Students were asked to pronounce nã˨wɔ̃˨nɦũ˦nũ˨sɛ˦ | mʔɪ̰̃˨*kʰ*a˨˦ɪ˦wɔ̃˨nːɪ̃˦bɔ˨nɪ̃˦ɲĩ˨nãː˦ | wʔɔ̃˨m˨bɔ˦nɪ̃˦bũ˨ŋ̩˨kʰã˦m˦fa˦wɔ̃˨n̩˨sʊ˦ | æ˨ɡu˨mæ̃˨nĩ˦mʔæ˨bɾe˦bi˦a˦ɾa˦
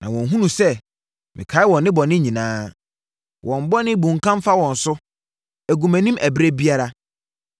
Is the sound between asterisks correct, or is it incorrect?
correct